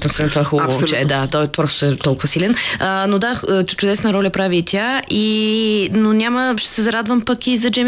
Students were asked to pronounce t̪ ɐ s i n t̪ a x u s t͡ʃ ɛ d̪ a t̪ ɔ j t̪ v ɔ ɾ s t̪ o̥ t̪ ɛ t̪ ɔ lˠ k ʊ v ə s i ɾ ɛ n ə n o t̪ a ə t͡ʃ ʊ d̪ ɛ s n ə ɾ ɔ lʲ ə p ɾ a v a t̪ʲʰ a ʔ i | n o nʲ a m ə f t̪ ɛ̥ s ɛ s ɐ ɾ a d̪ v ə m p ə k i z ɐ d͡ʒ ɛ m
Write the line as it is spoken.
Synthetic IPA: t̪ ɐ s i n t̪ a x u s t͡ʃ ɛ d̪ a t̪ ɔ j t̪ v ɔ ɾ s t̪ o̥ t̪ ɛ t̪ ɔ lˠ k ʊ v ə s i l ɛ n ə n o d̪ a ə t͡ʃ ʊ d̪ ɛ s n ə ɾ ɔ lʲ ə p ɾ a v i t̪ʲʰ a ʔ i | n o nʲ a m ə ʃ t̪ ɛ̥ s ɛ z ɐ ɾ a d̪ v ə m p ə k i z ɐ d͡ʒ ɛ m